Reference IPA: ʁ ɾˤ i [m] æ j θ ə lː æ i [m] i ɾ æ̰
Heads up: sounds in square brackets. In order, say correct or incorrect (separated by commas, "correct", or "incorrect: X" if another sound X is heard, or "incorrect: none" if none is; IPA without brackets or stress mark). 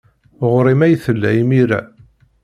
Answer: correct, correct